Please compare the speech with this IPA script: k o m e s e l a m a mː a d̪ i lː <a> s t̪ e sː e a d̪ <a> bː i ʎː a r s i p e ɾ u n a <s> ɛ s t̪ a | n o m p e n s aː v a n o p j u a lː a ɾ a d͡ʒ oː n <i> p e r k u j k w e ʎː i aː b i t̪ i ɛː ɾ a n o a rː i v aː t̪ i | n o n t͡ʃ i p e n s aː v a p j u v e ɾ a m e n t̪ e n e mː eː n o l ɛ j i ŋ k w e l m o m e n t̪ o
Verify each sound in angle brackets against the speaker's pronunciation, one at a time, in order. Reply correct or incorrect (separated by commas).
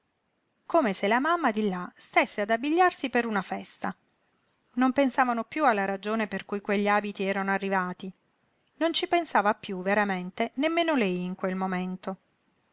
correct, correct, incorrect, incorrect